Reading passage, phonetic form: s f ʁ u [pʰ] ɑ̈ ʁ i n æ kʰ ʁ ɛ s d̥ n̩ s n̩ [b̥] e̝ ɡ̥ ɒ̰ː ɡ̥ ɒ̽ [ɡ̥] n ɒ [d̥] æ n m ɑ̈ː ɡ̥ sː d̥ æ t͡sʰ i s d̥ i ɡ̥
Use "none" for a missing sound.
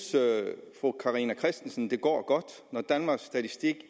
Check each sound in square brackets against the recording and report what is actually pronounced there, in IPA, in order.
kʰ, d̥, d̥, d̥

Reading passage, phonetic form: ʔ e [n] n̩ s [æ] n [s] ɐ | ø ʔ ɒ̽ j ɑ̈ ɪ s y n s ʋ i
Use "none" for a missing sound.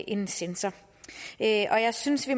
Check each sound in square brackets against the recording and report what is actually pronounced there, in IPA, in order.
n, e, s

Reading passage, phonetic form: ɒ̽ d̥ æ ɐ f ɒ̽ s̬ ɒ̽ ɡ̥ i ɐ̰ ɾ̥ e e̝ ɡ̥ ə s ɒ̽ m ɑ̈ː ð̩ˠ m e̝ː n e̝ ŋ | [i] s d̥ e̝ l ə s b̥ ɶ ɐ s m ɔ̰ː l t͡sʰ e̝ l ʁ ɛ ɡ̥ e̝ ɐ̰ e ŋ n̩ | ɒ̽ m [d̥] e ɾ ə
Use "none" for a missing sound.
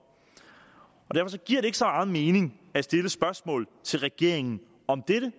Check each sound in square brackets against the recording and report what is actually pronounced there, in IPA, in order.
æ, d̥

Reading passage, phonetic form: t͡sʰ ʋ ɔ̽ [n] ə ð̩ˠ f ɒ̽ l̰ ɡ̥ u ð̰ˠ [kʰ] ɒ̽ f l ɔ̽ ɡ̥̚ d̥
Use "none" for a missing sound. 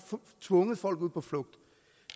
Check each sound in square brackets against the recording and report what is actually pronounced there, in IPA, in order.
ŋ, pʰ

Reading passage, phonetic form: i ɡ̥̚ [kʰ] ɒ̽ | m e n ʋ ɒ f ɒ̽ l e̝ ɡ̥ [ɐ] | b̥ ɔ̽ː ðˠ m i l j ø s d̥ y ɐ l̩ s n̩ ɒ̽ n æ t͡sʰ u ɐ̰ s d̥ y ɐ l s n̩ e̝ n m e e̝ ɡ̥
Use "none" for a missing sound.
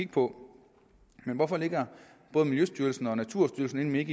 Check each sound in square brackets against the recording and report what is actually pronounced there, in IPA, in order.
pʰ, ɐ

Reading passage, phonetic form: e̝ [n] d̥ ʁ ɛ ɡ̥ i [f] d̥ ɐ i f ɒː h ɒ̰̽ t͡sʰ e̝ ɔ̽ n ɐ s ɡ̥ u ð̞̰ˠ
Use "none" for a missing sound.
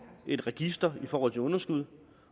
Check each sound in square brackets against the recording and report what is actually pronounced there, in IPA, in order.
none, s

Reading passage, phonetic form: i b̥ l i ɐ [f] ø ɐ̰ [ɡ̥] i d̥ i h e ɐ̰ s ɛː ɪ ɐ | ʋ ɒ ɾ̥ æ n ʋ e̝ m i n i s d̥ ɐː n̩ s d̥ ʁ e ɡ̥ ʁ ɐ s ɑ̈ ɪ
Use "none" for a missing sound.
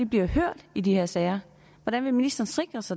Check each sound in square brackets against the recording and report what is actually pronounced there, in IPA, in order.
h, d̥

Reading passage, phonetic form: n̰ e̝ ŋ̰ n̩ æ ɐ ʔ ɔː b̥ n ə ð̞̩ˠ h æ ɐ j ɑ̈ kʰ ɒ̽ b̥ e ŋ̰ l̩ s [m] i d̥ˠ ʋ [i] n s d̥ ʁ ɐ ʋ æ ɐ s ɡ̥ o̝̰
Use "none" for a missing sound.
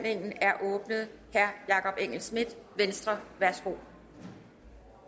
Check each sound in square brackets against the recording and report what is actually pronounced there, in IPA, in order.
m, e

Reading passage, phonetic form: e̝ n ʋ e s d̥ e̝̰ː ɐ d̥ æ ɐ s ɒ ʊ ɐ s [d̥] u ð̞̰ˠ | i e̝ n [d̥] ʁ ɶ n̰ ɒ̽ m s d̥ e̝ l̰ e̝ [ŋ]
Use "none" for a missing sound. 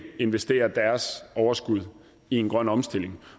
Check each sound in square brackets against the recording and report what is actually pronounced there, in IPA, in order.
ɡ̥, ɡ̥, ŋ

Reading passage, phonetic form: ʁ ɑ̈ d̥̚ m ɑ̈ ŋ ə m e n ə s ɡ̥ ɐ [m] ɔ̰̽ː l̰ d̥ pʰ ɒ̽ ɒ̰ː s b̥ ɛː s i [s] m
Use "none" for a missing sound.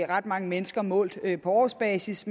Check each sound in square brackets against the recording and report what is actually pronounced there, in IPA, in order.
m, s

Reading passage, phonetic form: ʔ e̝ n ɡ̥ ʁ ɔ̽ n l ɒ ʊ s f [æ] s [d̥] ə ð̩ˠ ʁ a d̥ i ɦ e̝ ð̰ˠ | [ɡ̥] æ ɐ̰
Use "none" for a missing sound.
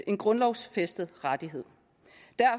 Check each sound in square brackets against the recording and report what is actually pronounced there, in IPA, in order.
e, d̥, d̥

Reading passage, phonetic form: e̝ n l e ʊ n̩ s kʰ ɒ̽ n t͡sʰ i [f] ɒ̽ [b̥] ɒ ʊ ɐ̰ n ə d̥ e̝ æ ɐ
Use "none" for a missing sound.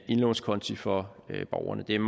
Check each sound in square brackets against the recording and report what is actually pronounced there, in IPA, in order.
f, b̥

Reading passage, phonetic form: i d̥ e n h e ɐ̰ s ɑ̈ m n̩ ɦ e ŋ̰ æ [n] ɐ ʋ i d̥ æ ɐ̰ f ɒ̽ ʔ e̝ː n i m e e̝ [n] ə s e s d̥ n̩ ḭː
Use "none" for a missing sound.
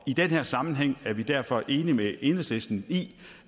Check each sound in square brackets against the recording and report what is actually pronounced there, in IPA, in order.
none, n

